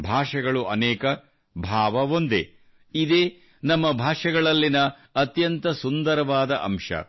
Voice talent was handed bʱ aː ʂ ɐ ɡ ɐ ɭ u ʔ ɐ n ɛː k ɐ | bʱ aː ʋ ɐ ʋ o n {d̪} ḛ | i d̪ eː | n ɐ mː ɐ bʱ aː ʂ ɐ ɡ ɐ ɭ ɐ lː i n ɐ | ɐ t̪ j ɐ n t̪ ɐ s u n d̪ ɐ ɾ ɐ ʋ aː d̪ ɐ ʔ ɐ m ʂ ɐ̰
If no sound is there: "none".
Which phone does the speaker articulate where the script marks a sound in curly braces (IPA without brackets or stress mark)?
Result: d̪